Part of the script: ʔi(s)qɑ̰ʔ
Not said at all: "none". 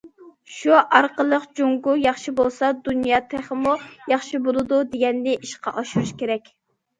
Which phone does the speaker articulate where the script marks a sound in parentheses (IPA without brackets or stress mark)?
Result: ʃ